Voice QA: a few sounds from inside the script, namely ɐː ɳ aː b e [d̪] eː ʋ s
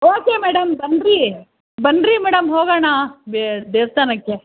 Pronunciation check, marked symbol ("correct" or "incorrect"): correct